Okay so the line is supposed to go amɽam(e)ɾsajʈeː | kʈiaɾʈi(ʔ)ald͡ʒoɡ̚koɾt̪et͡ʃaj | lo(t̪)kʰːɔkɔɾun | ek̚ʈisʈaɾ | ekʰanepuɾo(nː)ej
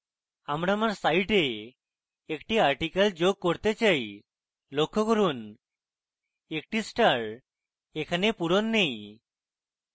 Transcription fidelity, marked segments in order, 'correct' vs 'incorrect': incorrect, incorrect, incorrect, correct

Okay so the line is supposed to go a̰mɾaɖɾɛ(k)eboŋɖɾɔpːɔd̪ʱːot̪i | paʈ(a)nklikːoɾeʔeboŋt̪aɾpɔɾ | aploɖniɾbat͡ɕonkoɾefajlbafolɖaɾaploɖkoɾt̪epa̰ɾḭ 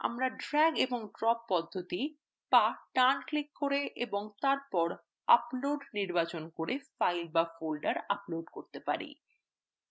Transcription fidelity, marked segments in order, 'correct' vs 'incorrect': incorrect, correct

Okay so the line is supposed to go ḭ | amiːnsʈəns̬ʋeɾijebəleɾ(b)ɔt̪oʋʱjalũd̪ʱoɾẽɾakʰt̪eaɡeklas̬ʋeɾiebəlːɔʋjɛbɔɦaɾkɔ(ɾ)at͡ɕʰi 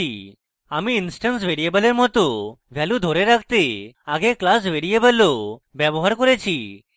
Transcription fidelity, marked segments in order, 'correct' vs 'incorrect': incorrect, correct

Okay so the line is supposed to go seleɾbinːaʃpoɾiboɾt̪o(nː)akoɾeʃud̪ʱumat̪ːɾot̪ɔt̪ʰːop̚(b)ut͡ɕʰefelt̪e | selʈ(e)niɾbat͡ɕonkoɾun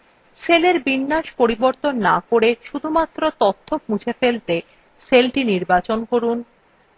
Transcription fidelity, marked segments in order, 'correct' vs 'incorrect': correct, incorrect, incorrect

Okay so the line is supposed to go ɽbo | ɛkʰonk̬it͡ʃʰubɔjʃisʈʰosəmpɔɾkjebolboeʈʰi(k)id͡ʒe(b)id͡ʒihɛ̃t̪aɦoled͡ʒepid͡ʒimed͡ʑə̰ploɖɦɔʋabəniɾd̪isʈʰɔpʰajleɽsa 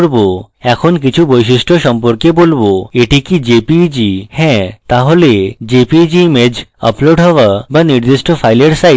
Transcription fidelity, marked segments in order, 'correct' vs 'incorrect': correct, incorrect

